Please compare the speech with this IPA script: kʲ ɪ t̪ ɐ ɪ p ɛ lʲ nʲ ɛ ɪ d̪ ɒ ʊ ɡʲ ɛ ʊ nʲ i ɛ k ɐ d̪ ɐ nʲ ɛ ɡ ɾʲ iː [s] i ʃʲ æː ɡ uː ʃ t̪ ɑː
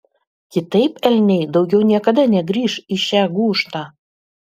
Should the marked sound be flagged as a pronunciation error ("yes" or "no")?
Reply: yes